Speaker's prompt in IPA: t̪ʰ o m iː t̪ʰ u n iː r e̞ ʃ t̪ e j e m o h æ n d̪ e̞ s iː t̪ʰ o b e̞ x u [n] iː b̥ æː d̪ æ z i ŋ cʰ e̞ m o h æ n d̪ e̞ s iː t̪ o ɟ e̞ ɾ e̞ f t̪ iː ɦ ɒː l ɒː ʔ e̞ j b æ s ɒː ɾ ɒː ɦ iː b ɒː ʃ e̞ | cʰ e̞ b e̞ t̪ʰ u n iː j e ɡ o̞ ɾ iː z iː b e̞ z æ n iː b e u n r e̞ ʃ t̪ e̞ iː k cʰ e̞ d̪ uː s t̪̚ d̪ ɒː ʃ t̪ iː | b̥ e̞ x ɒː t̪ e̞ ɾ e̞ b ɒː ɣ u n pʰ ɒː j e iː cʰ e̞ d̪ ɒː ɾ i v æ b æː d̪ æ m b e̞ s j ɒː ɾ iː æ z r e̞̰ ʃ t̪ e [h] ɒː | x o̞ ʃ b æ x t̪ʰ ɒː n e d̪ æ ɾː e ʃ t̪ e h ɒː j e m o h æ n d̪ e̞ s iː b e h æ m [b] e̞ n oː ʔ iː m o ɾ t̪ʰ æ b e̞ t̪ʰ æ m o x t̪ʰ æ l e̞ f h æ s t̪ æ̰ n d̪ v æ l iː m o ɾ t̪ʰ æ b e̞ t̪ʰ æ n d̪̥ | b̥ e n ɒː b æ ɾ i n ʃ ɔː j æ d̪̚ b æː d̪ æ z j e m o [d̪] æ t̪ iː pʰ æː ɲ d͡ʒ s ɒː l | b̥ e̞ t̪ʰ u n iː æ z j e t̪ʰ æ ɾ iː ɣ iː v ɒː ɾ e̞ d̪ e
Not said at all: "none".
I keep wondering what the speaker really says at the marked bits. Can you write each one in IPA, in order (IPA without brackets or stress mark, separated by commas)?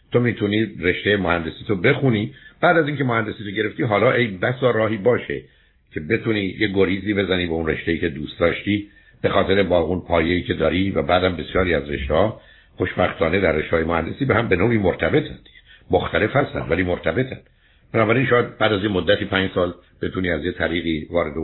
n, h, b, d̪ː